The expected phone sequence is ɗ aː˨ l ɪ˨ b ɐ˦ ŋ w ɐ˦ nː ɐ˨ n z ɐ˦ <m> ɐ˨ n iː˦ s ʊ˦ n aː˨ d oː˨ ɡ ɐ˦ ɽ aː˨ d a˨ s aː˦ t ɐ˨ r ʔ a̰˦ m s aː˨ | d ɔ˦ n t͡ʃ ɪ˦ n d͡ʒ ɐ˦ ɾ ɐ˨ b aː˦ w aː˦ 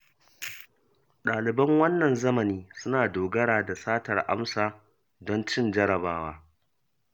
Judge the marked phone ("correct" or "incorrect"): correct